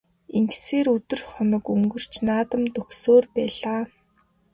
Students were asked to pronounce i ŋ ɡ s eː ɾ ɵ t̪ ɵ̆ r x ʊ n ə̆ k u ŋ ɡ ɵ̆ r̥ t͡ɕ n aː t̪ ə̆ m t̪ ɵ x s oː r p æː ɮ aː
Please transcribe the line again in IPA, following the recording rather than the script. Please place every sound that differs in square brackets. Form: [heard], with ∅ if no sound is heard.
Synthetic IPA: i ŋ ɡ s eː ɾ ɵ t̪ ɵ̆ r [χ] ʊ n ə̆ k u ŋ ɡ ɵ̆ r̥ t͡ɕ n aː t̪ ə̆ m t̪ ɵ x s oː r p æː ɮ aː